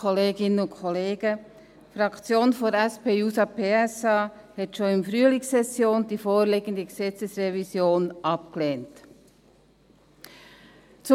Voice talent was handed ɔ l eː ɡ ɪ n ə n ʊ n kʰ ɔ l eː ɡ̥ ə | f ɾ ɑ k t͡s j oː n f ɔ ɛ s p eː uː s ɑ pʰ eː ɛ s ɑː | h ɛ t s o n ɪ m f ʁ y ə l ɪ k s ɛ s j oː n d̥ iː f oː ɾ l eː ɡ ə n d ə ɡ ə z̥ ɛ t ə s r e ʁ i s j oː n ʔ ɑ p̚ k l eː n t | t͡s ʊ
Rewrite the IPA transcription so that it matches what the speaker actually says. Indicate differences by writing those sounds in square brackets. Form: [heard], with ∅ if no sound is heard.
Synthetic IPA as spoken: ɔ l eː ɡ ɪ n ə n ʊ n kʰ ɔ l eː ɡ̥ ə | f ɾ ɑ k t͡s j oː n f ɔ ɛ s p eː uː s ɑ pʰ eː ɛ s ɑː | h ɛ t [ʃ] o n ɪ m f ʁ y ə l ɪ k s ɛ s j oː n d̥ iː f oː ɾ l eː ɡ ə n d ə ɡ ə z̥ ɛ [t͡s] ə s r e [v] i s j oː n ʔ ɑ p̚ k l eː n t | t͡s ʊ